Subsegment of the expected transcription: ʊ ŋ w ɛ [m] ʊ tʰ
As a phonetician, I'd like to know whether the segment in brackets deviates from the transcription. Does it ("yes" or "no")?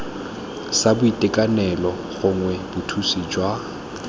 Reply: yes